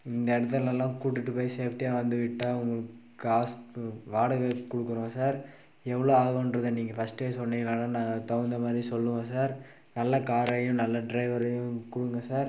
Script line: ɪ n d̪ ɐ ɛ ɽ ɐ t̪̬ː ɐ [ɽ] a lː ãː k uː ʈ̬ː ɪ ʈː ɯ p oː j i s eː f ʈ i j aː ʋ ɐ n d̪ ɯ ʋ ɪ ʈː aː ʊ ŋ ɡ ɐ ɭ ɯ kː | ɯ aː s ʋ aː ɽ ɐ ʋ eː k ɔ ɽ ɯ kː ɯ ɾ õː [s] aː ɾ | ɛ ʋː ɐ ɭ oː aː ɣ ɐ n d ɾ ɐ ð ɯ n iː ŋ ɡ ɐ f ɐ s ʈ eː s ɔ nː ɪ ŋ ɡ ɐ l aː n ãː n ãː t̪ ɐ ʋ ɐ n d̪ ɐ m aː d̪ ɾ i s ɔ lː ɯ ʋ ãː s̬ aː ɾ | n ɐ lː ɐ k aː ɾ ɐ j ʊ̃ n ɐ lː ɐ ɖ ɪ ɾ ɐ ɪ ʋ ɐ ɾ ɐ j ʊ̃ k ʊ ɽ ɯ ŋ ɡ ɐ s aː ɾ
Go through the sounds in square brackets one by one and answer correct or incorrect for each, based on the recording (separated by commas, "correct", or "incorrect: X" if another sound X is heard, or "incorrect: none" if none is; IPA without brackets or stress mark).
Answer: incorrect: l, correct